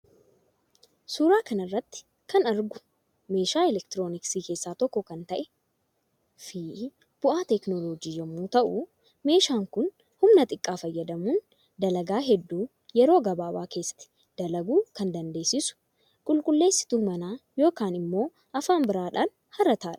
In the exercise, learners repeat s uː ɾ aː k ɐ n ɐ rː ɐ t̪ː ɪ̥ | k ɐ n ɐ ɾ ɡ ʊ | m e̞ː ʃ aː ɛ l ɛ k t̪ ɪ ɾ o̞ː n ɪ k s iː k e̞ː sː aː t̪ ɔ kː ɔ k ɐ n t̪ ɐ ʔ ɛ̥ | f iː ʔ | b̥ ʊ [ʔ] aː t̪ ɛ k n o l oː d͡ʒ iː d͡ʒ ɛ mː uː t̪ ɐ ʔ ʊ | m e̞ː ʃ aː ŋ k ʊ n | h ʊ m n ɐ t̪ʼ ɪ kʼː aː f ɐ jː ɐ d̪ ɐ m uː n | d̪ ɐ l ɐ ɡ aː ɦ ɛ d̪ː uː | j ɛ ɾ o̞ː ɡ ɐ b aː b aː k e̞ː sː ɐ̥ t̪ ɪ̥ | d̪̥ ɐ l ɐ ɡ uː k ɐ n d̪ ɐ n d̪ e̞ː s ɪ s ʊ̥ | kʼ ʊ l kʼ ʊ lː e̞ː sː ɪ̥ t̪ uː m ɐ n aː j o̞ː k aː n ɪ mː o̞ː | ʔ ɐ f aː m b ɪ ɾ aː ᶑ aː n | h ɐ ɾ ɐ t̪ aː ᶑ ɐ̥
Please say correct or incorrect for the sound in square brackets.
correct